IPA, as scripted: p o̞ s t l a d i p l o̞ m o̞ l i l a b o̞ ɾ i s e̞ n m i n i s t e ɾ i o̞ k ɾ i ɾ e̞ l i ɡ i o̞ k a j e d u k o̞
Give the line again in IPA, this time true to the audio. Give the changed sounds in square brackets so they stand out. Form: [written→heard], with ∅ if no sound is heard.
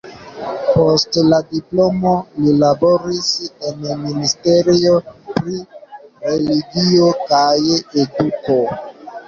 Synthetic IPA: p o̞ s t l a d i p l o̞ m o̞ l i l a b o̞ ɾ i s e̞ n m i n i s t e ɾ i o̞ [k→p] ɾ i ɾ e̞ l i ɡ i o̞ k a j e d u k o̞